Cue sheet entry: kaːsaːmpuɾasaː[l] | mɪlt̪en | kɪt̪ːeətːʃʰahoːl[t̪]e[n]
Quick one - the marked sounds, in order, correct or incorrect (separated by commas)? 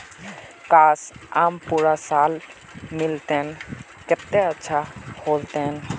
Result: correct, correct, correct